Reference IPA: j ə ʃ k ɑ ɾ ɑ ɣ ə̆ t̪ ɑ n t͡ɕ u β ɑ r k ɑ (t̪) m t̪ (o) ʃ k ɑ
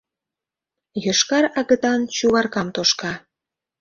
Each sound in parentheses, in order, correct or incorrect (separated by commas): incorrect, correct